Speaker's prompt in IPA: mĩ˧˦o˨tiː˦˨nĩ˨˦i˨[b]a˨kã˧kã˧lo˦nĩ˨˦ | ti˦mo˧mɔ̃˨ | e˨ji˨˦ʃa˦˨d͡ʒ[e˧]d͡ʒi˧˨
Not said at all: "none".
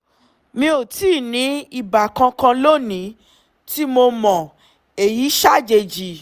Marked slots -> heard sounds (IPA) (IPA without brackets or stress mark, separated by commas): b, e˧